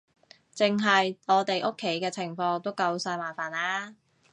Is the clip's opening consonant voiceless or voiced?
voiceless